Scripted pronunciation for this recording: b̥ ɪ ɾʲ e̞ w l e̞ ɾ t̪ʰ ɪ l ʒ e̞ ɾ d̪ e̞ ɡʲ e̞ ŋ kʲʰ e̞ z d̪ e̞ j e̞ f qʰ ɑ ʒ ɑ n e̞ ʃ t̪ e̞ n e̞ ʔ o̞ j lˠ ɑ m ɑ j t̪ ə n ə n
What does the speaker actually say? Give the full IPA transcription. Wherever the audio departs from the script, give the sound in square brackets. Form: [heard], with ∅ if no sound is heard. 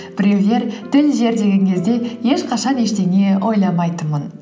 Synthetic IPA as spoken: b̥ ɪ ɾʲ e̞ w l e̞ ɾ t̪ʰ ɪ l ʒ e̞ ɾ d̪ e̞ ɡʲ e̞ ŋ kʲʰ e̞ z d̪ e̞ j e̞ [ʃ] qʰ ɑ [ʃ] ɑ n e̞ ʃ t̪ e̞ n e̞ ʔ o̞ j lˠ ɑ m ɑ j t̪ ə [m] ə n

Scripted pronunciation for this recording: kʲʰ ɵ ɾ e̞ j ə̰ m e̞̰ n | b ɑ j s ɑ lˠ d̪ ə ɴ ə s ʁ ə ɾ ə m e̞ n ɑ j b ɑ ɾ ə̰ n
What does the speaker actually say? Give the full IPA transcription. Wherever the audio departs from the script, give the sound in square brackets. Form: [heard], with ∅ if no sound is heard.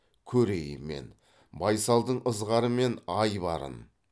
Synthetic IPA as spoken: kʲʰ ɵ ɾ e̞ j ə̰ m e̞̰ n | b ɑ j s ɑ lˠ d̪ ə ɴ ə [z] ʁ [ɑ] ɾ ə m e̞ n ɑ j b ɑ ɾ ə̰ n

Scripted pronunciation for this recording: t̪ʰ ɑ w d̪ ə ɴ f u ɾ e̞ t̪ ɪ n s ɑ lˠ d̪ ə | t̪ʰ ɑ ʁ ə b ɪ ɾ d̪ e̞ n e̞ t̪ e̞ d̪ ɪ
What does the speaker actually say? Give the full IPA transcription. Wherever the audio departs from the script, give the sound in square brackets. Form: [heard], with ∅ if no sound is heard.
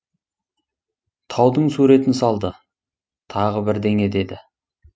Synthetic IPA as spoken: t̪ʰ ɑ w d̪ ə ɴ [s] u ɾ e̞ t̪ ɪ n s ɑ lˠ d̪ ə | t̪ʰ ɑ ʁ ə b ɪ ɾ d̪ e̞ [ŋ] e̞ [d̪] e̞ d̪ ɪ

